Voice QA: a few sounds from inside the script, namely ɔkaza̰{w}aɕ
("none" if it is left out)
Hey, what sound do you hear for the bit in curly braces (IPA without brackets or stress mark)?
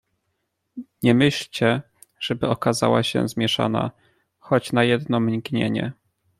w